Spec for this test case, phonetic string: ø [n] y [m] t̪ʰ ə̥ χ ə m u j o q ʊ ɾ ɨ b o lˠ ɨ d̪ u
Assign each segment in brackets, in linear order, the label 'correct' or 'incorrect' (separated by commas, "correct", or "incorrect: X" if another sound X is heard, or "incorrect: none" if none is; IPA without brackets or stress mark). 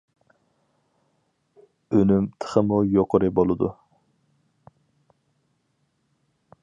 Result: correct, correct